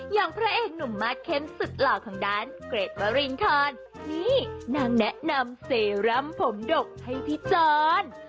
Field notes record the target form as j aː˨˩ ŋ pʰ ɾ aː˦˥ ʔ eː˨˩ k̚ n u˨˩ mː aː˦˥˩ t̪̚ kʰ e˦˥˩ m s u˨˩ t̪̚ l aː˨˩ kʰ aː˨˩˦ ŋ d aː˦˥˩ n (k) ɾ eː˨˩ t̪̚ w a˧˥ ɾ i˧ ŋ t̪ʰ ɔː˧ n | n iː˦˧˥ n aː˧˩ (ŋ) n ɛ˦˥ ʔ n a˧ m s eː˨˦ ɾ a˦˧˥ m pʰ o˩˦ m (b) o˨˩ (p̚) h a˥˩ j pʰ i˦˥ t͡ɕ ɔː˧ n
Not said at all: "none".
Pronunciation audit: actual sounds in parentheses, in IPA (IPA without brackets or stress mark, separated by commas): k, ŋ, d, k̚